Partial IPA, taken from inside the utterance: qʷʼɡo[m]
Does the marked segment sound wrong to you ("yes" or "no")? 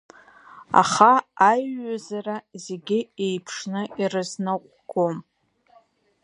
no